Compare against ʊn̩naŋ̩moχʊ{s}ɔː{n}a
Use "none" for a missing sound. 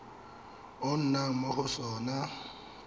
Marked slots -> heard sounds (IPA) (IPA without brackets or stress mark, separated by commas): s, n